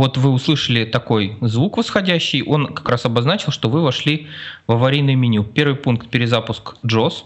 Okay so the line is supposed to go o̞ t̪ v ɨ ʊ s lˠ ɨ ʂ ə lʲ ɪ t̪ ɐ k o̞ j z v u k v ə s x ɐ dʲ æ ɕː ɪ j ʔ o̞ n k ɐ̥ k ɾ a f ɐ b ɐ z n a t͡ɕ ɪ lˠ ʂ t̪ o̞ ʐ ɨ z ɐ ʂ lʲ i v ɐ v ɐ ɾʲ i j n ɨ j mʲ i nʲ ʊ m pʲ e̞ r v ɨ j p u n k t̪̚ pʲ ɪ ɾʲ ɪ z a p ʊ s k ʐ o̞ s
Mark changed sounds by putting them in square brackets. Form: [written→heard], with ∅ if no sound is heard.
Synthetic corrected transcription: o̞ t̪ v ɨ ʊ s lˠ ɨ ʂ ə lʲ ɪ t̪ ɐ k o̞ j z v u k v ə s x ɐ dʲ æ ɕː ɪ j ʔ o̞ n k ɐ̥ k ɾ a [f→s] ɐ b ɐ z n a t͡ɕ ɪ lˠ ʂ t̪ o̞ [ʐ→v] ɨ [z→v] ɐ ʂ lʲ i v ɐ v ɐ ɾʲ i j n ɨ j mʲ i nʲ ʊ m pʲ e̞ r v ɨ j p u n k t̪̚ pʲ ɪ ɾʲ ɪ z a p ʊ s k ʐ o̞ s